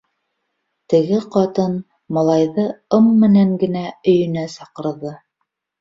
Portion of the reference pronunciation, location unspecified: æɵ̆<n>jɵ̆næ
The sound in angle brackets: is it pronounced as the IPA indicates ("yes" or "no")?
no